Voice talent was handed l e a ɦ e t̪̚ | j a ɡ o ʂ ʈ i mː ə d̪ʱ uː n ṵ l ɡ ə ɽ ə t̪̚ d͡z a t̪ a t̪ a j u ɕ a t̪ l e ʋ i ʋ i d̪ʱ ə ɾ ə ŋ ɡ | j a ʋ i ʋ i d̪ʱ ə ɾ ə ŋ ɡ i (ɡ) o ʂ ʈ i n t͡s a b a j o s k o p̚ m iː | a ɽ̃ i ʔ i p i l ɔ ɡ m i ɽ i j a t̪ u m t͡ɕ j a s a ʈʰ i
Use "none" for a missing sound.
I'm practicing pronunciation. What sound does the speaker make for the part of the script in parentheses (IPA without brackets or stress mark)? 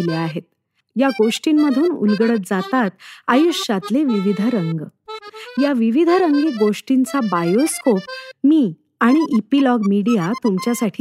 ɡ